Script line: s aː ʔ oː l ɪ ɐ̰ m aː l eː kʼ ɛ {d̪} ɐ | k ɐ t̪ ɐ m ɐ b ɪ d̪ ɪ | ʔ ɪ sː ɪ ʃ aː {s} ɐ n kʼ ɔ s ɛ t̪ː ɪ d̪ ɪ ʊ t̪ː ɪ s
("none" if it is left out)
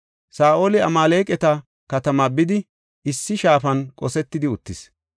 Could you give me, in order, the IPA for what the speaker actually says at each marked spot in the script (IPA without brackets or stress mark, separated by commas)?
t̪, f